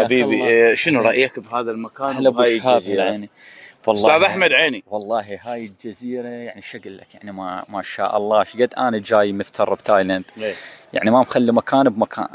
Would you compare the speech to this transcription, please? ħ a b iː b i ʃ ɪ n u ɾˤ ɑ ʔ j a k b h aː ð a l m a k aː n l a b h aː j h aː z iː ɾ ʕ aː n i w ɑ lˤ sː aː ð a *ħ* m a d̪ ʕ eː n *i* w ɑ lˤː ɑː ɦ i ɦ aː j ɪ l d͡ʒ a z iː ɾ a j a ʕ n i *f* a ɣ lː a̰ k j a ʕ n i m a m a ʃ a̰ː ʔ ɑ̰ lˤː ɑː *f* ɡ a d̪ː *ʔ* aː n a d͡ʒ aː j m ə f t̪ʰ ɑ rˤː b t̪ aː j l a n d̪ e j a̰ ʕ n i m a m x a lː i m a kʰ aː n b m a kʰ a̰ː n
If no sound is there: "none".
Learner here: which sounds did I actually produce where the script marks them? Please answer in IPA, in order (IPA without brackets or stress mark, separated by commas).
ħ, i, ʃ, ʃ, ʔ